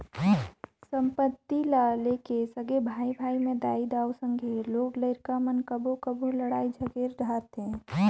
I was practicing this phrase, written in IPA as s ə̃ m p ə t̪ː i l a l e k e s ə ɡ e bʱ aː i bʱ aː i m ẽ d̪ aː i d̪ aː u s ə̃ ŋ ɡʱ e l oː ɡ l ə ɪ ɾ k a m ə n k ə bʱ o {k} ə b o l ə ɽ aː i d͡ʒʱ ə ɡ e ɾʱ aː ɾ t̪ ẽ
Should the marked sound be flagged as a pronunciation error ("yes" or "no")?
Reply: no